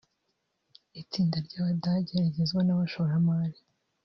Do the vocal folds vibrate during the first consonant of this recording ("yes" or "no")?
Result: no